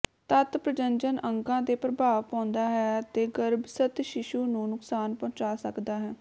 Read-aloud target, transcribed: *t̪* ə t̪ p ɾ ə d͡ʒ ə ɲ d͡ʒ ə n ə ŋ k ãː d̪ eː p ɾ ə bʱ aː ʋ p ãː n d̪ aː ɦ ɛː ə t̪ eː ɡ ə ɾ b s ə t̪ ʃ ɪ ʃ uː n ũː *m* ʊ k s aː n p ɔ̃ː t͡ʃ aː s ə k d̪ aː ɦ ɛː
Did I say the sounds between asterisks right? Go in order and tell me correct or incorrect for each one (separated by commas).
correct, incorrect